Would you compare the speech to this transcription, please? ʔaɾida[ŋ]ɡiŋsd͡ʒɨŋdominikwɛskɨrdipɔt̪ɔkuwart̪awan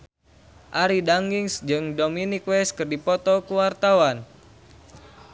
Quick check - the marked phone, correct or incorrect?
correct